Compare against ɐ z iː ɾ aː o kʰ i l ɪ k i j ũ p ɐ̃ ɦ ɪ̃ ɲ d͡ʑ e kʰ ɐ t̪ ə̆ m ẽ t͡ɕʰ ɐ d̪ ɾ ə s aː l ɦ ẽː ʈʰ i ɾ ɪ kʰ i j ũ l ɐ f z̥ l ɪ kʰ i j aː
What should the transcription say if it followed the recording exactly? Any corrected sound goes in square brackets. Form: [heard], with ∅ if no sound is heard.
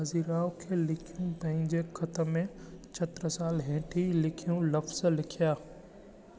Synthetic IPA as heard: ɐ z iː ɾ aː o kʰ [e] l ɪ [kʰ] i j ũ p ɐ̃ ɦ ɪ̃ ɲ d͡ʑ e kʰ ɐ t̪ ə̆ m ẽ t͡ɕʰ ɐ [t̪] ɾ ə s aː l ɦ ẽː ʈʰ i [l] ɪ kʰ i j ũ l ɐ f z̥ l ɪ kʰ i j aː

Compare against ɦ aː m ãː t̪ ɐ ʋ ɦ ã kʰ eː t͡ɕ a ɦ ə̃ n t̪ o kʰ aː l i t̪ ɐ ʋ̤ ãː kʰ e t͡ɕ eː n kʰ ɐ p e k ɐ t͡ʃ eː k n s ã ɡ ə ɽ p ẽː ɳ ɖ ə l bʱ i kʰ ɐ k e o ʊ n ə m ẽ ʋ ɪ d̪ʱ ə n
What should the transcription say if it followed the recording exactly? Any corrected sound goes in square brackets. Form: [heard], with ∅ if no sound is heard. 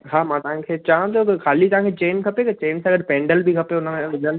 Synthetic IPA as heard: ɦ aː m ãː t̪ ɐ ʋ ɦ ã kʰ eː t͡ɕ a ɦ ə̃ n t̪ o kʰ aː l i t̪ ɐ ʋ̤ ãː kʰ e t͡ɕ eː n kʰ ɐ p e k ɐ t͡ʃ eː [∅] n s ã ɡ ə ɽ p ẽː ɳ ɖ ə l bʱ i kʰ ɐ [p] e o ʊ n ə m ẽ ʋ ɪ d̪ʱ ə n

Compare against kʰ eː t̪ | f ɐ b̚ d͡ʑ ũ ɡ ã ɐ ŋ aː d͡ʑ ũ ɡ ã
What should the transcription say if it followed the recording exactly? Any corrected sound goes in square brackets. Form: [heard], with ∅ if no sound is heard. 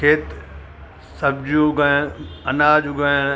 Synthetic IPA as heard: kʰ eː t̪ | [s] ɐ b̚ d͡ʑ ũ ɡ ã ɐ [n] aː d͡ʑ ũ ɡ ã

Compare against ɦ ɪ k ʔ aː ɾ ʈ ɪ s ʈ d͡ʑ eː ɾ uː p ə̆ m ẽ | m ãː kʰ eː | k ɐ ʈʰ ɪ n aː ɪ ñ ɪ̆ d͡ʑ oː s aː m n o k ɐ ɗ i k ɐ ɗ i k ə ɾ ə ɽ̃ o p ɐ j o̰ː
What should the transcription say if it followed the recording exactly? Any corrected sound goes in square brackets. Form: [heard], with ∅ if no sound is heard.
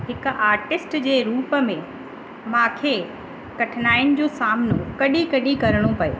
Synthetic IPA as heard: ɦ ɪ k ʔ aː ɾ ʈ ɪ s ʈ d͡ʑ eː ɾ uː p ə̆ m ẽ | m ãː kʰ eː | k ɐ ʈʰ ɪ n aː ɪ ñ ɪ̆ d͡ʑ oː s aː m n o k ɐ ɗ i k ɐ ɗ i k [ɐ] ɾ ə ɽ̃ o p ɐ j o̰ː

